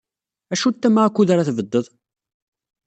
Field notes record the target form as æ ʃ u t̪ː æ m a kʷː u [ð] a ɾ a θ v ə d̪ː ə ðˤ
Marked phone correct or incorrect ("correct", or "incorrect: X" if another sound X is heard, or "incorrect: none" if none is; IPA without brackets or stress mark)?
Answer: correct